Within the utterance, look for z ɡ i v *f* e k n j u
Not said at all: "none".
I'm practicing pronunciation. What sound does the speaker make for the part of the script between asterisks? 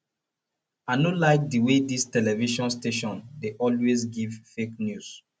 f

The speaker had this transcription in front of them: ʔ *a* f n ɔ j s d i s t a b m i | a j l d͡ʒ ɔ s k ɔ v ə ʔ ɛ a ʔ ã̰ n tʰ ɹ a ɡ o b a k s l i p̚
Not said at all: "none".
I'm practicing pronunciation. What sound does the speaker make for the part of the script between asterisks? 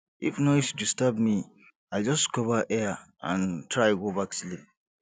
i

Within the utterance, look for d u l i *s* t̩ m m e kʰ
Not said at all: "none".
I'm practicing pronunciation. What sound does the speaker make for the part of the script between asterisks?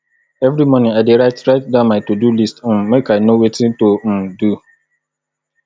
s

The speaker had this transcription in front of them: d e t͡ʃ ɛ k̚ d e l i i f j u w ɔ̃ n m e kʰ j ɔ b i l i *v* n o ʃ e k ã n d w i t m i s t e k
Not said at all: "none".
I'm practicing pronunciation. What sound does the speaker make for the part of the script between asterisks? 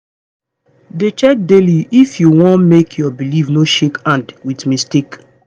v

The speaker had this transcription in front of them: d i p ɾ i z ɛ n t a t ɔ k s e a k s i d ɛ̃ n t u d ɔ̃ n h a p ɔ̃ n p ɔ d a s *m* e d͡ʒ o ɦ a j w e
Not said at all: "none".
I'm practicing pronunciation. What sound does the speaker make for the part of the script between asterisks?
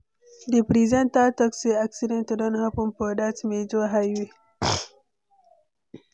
m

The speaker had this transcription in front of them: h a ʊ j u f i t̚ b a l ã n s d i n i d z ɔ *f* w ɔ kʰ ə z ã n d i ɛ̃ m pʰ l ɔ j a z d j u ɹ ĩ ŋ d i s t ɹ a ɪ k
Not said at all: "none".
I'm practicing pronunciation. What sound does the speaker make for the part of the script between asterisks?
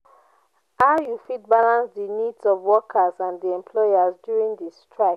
v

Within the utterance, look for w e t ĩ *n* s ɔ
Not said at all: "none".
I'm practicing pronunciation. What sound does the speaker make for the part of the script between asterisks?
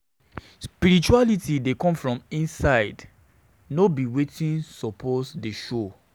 n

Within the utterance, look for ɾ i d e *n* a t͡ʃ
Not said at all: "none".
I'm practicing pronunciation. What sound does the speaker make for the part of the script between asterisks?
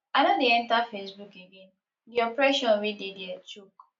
d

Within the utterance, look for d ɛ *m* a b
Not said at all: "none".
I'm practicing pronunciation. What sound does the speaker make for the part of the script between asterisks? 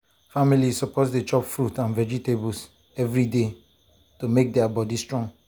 none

